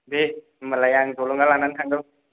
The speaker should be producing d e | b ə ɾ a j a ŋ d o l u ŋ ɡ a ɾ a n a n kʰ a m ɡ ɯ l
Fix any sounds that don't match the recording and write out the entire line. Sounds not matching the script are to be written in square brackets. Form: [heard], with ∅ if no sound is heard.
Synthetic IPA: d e | [m] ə [l] a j a ŋ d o l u ŋ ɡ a [l] a n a n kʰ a [ŋ] ɡ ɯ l